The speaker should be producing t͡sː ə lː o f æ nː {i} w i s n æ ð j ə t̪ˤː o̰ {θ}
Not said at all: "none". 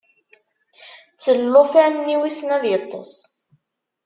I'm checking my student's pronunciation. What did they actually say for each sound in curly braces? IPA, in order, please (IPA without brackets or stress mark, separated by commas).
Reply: i, s